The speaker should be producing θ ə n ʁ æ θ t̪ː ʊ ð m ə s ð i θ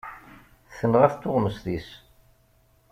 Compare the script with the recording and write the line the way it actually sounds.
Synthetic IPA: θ ə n ʁ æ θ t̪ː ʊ ʁ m ə s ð i s